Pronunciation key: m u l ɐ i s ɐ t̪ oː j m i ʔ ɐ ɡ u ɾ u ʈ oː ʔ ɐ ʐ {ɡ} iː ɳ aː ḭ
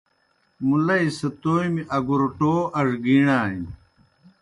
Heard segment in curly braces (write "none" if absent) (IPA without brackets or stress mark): ɡ